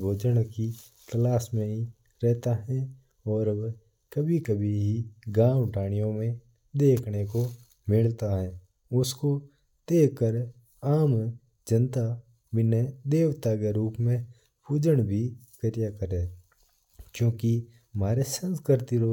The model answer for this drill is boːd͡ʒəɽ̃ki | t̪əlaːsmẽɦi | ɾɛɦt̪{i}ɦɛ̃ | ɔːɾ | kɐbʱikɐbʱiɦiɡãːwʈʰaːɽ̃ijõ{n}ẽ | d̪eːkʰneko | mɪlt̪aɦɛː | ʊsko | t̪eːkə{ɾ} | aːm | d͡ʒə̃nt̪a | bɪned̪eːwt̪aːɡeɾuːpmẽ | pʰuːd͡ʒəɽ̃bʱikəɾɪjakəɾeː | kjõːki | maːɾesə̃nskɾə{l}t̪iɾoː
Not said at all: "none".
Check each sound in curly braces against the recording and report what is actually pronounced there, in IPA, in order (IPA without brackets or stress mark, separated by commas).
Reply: a, m, ɾ, ɾ